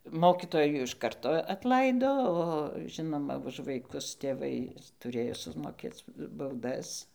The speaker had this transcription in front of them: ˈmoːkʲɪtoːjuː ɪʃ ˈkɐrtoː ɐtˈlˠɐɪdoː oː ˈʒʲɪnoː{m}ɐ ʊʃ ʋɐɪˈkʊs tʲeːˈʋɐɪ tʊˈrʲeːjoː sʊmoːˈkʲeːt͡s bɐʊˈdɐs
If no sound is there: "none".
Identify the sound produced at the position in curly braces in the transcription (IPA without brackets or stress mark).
m